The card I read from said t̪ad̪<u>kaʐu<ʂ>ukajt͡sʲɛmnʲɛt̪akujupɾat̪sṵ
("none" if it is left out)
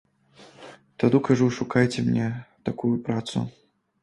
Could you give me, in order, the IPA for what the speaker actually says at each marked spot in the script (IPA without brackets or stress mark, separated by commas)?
u, ʂ